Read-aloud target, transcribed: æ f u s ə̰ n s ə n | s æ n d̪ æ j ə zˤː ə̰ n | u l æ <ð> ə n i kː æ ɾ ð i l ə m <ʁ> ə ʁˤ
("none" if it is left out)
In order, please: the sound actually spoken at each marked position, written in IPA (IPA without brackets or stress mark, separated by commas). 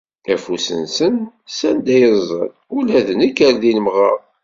ð, ʁ